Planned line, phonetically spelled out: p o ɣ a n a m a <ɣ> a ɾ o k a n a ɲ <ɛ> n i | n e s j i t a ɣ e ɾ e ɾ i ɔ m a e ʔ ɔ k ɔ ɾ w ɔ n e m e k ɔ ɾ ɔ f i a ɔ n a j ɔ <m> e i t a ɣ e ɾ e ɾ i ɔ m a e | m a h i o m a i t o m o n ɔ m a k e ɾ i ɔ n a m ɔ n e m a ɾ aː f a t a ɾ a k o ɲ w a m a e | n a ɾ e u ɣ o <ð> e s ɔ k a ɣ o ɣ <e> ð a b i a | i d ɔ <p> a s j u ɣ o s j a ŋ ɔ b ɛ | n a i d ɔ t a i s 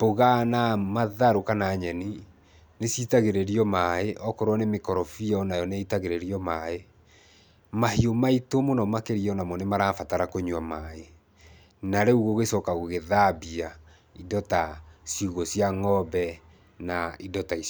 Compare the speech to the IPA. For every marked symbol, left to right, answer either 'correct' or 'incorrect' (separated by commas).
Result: incorrect, correct, incorrect, incorrect, correct, incorrect